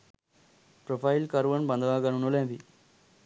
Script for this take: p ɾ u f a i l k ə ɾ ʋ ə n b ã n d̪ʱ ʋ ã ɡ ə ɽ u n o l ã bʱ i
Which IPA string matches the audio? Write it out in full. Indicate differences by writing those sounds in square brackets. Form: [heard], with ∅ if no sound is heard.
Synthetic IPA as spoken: p ɾ [o] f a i l k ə ɾ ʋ ə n b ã n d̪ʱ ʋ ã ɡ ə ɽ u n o l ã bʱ i